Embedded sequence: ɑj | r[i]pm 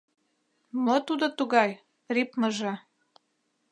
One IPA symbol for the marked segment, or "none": i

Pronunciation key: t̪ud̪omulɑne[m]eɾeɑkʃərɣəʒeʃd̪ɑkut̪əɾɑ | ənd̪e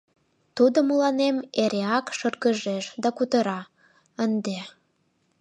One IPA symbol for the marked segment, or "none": m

